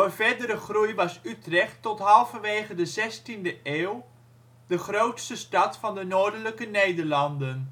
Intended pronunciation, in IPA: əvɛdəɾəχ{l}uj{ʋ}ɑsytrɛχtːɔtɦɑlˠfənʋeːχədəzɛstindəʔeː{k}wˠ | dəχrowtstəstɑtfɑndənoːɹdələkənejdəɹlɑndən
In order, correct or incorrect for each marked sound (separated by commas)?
incorrect, correct, incorrect